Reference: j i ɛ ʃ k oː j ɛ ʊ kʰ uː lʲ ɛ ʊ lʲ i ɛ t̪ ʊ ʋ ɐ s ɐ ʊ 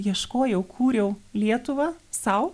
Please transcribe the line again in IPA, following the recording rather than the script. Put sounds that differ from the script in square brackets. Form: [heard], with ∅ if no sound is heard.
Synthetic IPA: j i ɛ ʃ k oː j ɛ ʊ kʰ uː [ɾʲ] ɛ ʊ lʲ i ɛ t̪ ʊ ʋ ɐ s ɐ ʊ

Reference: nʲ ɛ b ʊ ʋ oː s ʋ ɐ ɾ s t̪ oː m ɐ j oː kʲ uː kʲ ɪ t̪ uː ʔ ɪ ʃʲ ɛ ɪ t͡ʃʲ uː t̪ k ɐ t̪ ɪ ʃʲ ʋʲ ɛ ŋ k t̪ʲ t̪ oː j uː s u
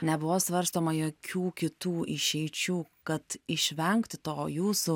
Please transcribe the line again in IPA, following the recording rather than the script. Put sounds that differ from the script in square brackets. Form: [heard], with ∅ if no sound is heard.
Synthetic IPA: nʲ ɛ b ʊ ʋ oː s ʋ ɐ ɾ s t̪ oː m ɐ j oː kʲ uː kʲ ɪ t̪ uː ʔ ɪ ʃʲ ɛ ɪ t͡ʃʲ uː [∅] k ɐ t̪ ɪ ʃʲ ʋʲ ɛ ŋ k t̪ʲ t̪ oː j uː s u

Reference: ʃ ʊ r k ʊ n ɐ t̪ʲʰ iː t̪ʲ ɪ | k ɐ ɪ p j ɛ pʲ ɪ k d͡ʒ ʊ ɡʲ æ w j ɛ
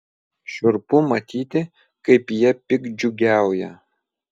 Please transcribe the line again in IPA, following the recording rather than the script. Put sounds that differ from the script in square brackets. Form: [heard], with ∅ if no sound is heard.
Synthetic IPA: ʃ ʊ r [p] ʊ [m] ɐ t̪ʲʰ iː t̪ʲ ɪ | k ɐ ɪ p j ɛ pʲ ɪ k d͡ʒ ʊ ɡʲ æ w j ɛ

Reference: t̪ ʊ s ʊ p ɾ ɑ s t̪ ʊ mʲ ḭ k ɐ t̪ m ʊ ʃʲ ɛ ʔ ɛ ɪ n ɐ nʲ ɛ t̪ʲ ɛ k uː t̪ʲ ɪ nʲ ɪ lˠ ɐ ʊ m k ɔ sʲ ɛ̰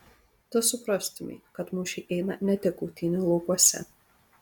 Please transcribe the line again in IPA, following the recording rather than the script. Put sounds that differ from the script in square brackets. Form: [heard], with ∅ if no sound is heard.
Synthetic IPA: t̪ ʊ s ʊ p ɾ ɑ s t̪ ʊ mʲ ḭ k ɐ t̪ m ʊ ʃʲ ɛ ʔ ɛ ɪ n ɐ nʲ ɛ t̪ʲ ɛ k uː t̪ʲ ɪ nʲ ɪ lˠ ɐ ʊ [∅] k ɔ sʲ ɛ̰

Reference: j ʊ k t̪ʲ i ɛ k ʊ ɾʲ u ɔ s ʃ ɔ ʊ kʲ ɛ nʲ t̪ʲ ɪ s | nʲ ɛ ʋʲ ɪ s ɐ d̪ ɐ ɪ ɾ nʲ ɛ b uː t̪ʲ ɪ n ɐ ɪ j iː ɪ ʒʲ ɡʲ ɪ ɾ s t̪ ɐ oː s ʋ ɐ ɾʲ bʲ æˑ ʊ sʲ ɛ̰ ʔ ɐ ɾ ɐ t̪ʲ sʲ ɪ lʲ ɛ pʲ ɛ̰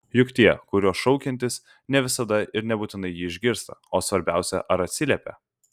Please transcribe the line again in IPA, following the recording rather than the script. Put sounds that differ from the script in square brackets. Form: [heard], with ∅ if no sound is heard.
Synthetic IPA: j ʊ k t̪ʲ i ɛ k ʊ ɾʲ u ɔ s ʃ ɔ ʊ kʲ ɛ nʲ t̪ʲ ɪ s | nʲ ɛ ʋʲ ɪ s ɐ d̪ ɐ ɪ ɾ nʲ ɛ b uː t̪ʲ ɪ n ɐ ɪ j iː ɪ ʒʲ ɡʲ ɪ ɾ s t̪ ɐ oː s ʋ ɐ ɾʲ bʲ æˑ ʊ sʲ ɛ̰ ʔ ɐ ɾ ɐ t̪ʲ sʲ ɪ lʲ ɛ pʲ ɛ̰

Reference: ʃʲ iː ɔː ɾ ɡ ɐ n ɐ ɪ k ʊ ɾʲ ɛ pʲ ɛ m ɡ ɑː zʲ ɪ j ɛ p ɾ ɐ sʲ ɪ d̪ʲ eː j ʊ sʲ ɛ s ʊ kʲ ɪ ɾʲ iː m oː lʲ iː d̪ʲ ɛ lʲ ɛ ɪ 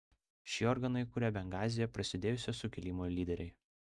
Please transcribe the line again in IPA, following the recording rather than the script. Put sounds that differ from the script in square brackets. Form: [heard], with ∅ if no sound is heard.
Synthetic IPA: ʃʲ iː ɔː ɾ ɡ ɐ n ɐ ɪ k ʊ ɾʲ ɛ [bʲ] ɛ [ŋ] ɡ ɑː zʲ ɪ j ɛ p ɾ ɐ sʲ ɪ d̪ʲ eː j ʊ sʲ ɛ s ʊ kʲ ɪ [lʲ] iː m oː lʲ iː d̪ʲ ɛ [ɾʲ] ɛ ɪ

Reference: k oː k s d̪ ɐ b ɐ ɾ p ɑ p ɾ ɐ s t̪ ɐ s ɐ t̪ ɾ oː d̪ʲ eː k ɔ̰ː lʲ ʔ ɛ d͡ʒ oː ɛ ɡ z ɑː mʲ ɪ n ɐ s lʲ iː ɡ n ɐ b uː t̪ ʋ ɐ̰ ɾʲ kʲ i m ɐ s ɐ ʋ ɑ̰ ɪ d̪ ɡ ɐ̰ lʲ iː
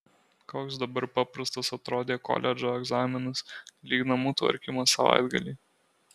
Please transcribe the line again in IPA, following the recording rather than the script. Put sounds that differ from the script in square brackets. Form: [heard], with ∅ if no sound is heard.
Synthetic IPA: k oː k s d̪ ɐ b ɐ ɾ p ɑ p ɾ ɐ s t̪ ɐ s ɐ t̪ ɾ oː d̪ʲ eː k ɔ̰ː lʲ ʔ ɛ d͡ʒ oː ɛ ɡ z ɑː mʲ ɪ n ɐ s lʲ iː ɡ n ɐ [m] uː t̪ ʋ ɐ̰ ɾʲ kʲ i m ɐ s ɐ ʋ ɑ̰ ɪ d̪ ɡ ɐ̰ lʲ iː

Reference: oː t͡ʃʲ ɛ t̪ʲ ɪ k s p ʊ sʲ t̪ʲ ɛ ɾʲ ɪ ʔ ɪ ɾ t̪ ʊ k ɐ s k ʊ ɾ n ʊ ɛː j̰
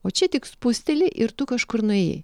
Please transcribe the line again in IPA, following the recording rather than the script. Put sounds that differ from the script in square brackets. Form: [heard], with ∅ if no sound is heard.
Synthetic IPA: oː t͡ʃʲ ɛ t̪ʲ ɪ k s p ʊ sʲ t̪ʲ ɛ [lʲ] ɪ ʔ ɪ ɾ t̪ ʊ k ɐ [ʃ] k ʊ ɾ n ʊ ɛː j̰

